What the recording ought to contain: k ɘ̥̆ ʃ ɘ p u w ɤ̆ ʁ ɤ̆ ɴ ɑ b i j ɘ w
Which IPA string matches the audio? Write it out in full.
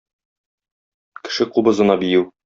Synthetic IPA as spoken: k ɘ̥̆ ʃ ɘ q u b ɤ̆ z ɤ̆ n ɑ b i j ɘ w